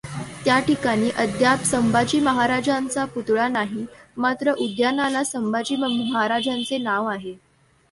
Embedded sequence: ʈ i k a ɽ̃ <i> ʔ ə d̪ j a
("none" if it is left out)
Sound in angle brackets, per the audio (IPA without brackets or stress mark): iː